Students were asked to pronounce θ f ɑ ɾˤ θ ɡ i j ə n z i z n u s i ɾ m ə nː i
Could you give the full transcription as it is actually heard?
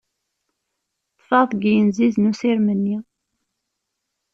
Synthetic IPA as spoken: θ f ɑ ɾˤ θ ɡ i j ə n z i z n u s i ɾ m ə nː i